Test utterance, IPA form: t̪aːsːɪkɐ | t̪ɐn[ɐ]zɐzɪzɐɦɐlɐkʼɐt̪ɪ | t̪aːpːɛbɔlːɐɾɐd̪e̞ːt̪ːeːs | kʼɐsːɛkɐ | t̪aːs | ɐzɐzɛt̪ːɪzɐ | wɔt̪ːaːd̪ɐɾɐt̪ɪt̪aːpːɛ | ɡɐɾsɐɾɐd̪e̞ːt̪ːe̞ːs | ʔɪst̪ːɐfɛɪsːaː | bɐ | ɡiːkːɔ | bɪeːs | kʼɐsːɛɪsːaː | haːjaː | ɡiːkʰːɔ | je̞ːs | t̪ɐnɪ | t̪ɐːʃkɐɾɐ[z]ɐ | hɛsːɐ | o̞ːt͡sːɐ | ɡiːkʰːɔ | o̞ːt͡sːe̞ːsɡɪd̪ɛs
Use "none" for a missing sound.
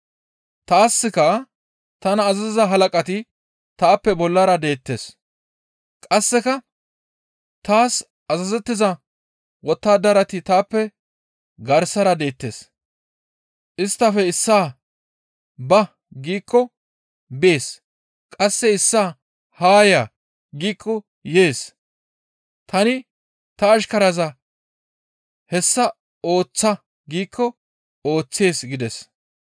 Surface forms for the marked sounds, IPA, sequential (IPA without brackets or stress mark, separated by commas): ɐː, z